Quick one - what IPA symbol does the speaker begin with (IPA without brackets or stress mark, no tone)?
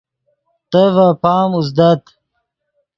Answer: t̪